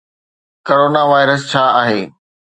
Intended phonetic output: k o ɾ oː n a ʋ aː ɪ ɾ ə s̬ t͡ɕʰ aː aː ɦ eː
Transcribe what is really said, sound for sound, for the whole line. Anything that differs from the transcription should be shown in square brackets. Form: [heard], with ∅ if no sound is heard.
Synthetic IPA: k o ɾ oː n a ʋ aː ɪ ɾ ə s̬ t͡ɕʰ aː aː ɦ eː